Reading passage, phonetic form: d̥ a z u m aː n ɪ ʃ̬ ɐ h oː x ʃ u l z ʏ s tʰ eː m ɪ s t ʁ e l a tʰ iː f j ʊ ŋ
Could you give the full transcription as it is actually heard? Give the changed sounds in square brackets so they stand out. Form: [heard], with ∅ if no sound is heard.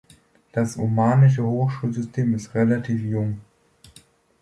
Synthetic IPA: d̥ a [s] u m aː n ɪ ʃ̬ [ə] h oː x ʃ [uː] l z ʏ s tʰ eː m ɪ s t ʁ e l a tʰ iː f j ʊ ŋ